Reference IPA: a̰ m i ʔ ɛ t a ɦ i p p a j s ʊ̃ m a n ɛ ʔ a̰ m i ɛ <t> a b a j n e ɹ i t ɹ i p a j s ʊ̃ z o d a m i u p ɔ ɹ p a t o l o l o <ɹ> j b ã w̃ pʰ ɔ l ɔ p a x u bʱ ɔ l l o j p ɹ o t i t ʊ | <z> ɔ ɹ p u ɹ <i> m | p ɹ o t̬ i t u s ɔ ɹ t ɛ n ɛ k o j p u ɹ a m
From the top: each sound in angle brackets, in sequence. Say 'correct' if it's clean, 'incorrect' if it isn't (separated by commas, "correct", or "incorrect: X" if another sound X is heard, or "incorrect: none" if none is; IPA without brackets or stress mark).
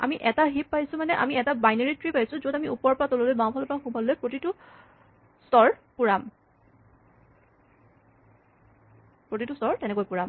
correct, incorrect: none, incorrect: s, incorrect: a